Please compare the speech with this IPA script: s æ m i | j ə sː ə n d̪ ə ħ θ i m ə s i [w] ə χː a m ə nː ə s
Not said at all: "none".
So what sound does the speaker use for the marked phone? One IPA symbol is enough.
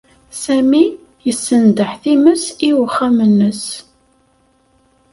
w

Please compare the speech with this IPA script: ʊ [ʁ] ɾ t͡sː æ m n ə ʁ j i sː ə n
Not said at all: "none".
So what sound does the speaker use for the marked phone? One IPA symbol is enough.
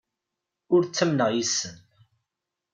none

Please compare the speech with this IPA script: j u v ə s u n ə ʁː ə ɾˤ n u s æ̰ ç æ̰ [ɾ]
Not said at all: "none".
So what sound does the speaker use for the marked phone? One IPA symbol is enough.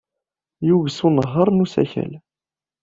l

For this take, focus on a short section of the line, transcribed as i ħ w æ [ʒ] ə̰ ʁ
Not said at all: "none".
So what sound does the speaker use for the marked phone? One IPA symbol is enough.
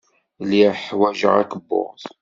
ʒ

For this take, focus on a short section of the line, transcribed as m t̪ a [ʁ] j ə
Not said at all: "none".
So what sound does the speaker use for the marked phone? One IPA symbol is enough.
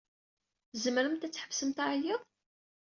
ʕ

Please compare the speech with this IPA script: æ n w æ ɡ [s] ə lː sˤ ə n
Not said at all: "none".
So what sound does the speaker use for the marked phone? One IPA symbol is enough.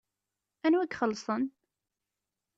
χ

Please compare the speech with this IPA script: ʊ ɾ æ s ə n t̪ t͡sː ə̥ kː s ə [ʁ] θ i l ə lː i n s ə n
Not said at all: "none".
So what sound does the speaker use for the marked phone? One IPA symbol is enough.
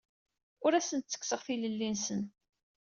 ʁ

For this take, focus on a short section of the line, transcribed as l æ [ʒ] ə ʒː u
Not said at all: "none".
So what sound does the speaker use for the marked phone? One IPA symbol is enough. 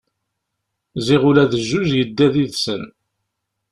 ð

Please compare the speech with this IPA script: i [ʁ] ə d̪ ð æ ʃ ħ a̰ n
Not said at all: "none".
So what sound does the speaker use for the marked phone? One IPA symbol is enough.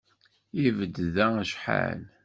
v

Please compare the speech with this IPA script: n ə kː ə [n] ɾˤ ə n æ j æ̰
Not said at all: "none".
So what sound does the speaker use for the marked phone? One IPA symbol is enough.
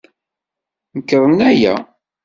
none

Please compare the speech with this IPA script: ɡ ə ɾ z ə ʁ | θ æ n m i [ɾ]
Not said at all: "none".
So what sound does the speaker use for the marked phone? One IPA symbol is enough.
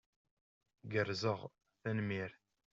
ɾ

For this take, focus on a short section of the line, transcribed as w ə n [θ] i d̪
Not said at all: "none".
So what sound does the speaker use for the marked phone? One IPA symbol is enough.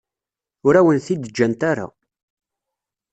θ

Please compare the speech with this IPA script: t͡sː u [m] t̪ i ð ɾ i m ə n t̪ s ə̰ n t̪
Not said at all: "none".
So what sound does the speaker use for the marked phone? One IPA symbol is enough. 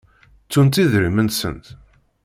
n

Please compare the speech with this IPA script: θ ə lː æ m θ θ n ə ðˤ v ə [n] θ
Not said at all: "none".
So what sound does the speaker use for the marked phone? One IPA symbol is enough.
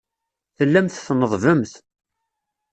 m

